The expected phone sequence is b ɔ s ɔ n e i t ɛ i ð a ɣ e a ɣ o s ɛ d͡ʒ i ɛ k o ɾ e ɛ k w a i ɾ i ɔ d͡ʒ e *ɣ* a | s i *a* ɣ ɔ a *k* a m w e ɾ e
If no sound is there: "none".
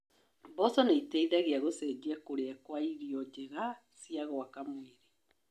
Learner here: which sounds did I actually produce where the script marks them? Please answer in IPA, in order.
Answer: ɣ, a, k

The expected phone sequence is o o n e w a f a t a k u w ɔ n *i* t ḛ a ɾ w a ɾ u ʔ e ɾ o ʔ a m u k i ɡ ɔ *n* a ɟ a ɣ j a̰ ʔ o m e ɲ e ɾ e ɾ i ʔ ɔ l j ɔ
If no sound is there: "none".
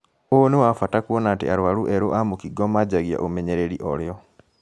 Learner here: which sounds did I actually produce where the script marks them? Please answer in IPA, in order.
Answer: a, m

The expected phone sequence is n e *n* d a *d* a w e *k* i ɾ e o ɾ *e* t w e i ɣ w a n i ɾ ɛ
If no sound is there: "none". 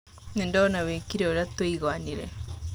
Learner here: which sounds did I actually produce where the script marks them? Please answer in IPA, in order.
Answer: n, n, k, a

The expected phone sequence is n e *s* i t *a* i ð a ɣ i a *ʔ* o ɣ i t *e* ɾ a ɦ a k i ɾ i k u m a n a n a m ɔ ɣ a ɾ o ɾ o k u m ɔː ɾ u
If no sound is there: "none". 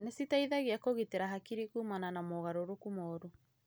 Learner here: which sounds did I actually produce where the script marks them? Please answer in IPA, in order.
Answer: s, a, k, e

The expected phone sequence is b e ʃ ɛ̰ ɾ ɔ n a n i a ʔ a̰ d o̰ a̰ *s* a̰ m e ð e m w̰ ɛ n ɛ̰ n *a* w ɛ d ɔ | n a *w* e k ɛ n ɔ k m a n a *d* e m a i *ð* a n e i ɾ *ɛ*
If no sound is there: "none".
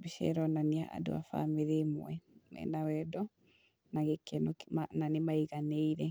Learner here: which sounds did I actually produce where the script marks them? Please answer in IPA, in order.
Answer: f, a, ɣ, n, ɣ, ɛ

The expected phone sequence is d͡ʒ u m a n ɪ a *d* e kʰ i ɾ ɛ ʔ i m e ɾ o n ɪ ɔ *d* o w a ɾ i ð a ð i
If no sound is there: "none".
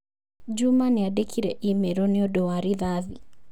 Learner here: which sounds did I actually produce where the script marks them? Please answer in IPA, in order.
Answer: d, d

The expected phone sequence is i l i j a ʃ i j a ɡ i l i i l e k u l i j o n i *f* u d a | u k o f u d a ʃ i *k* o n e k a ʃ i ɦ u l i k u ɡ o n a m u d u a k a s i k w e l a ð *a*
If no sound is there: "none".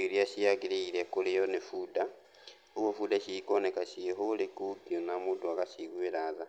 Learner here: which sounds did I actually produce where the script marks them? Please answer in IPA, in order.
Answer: f, k, a

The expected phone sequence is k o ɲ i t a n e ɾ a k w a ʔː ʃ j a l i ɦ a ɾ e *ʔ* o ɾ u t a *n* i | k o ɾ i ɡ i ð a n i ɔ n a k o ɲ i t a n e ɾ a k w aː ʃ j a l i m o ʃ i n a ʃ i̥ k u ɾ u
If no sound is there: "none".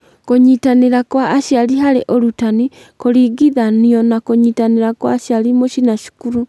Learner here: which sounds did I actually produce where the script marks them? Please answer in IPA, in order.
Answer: ʔ, n

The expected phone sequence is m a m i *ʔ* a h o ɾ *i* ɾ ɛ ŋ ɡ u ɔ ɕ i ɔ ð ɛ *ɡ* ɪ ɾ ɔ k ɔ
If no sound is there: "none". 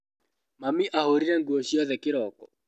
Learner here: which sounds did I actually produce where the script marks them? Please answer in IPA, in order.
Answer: ʔ, i, k

